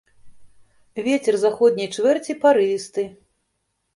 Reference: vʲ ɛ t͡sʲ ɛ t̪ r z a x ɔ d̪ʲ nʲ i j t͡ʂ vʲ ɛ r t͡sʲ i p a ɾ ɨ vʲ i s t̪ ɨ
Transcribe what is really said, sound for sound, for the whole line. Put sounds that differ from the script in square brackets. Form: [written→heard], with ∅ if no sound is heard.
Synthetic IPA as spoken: vʲ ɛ t͡sʲ ɛ [t̪→∅] r z a x ɔ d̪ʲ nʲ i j t͡ʂ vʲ ɛ r t͡sʲ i p a ɾ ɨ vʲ i s t̪ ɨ